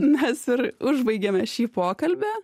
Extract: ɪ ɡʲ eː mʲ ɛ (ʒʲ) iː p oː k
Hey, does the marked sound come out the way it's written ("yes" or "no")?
no